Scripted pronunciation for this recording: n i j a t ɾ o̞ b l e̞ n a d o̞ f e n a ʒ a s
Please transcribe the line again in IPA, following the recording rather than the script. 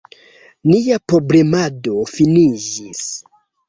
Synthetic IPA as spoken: n i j a p ɾ o̞ b l e̞ m a d o̞ f i n i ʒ i s